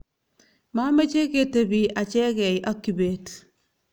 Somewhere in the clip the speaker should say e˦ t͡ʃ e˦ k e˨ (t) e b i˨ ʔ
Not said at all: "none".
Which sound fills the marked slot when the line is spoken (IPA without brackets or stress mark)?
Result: t